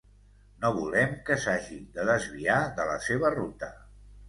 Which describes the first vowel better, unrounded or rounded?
rounded